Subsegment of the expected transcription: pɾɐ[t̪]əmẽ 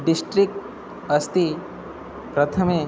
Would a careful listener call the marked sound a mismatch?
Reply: yes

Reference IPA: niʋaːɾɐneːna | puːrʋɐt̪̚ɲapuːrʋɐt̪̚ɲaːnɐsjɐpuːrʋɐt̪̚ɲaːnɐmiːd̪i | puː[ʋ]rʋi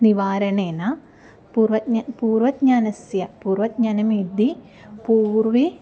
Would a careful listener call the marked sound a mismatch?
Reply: yes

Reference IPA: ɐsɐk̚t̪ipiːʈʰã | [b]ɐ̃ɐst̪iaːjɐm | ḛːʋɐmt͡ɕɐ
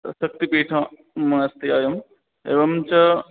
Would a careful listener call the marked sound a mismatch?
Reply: yes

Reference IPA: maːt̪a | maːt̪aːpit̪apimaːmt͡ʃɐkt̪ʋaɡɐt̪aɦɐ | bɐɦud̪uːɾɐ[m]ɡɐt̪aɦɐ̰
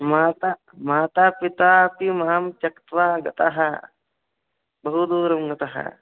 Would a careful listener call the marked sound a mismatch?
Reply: no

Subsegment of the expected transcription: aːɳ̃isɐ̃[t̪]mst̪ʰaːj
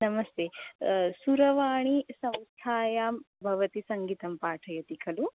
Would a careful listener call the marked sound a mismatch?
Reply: yes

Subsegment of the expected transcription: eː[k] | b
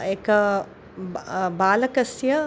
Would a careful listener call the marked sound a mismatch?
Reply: no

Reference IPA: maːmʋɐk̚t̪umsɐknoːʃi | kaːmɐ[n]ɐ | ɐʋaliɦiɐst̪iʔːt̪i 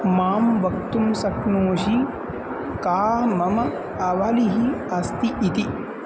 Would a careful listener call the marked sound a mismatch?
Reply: yes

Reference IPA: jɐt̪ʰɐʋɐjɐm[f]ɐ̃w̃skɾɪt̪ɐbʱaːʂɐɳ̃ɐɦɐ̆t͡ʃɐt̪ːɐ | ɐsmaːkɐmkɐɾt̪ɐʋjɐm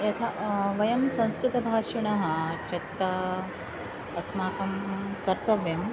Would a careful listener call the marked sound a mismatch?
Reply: yes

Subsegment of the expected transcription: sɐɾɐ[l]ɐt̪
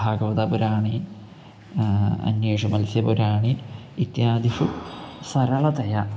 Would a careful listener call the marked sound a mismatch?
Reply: yes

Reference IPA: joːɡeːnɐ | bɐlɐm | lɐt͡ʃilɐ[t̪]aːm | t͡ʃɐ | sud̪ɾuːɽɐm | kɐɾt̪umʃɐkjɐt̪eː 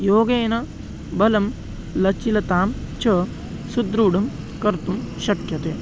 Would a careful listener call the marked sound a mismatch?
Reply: no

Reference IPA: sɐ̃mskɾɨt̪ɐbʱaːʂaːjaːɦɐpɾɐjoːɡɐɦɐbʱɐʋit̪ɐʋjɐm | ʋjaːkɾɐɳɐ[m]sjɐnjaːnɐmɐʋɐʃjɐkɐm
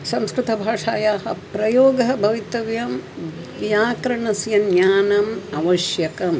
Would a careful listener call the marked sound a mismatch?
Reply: yes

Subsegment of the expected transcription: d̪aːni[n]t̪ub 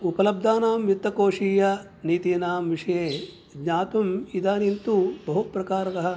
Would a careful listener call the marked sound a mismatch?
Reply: no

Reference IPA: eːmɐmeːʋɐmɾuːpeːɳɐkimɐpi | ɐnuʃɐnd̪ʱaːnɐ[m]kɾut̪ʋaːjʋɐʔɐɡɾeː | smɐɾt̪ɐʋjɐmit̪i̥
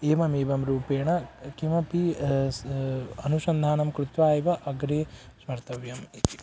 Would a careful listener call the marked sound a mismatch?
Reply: no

